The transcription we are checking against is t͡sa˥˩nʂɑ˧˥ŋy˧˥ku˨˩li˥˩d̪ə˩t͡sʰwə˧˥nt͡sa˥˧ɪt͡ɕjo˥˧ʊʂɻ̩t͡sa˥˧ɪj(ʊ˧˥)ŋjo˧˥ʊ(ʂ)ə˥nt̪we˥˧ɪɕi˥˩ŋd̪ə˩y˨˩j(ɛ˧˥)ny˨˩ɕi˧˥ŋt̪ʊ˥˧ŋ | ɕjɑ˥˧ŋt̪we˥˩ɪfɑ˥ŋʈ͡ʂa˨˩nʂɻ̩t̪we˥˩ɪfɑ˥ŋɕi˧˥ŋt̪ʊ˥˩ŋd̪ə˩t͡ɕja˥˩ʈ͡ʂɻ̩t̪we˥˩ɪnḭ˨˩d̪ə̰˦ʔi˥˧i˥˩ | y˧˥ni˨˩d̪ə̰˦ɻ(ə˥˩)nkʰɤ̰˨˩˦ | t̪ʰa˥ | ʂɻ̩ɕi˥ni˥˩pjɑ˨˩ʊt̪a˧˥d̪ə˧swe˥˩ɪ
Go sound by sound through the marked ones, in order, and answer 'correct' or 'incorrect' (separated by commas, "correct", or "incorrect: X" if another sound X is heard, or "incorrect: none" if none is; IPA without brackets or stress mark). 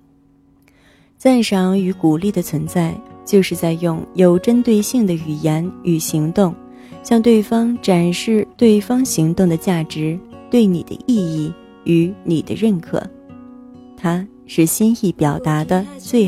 incorrect: ʊ˥˩, incorrect: ʈ͡ʂ, correct, correct